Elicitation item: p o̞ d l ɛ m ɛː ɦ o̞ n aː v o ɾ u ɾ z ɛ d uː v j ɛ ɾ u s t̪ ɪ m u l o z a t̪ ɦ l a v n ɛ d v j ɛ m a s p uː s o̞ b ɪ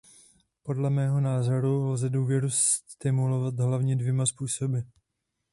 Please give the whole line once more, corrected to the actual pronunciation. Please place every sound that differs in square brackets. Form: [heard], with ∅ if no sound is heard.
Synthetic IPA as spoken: p o̞ d l ɛ m ɛː ɦ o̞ n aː [z] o ɾ u [l] z ɛ d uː v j ɛ ɾ u s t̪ ɪ m u l o [v] a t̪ ɦ l a v [ɲ] ɛ d v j ɛ m a s p uː s o̞ b ɪ